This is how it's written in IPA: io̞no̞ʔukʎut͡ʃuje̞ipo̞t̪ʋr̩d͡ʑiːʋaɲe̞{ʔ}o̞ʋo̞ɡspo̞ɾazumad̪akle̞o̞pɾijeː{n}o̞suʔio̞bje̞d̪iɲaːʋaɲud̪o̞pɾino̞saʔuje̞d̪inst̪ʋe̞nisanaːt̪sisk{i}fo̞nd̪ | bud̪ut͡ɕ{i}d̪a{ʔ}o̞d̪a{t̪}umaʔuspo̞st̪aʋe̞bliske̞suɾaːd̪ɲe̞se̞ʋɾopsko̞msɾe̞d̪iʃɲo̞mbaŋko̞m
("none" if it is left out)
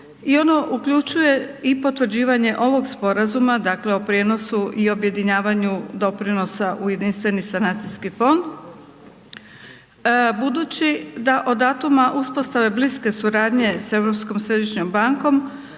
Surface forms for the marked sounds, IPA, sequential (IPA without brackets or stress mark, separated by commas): ʔ, n, i, i, ʔ, t̪